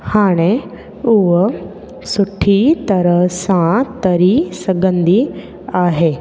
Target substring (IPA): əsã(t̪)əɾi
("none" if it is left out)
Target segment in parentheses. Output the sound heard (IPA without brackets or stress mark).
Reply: t̪